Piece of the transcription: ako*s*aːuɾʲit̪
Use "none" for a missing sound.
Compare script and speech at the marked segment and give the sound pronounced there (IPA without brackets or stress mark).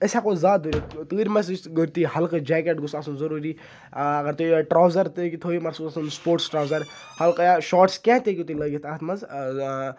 z